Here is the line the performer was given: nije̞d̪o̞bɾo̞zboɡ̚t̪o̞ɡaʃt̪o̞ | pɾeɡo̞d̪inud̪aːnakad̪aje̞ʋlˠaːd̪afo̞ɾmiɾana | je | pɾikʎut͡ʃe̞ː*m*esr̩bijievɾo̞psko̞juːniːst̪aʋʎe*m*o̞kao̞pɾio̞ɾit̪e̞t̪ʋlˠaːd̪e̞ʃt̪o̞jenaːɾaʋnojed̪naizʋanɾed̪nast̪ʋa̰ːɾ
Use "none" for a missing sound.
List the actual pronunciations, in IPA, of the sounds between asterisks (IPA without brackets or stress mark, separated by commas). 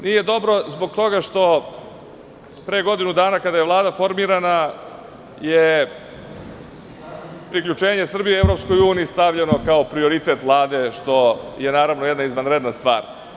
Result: ɲ, n